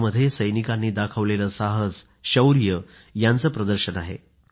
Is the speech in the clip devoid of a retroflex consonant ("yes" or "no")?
yes